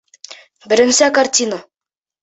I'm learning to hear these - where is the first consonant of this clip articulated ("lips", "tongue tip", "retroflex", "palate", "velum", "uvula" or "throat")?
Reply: lips